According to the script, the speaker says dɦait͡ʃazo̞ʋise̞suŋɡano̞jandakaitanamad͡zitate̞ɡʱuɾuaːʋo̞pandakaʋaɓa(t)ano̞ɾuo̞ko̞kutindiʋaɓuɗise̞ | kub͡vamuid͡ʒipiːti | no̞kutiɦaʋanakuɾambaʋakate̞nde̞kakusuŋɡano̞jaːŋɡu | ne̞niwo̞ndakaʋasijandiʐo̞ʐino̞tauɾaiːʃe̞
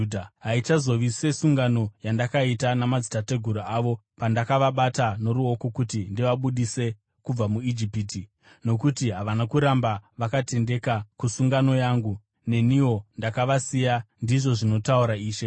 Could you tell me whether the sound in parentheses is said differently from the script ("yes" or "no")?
no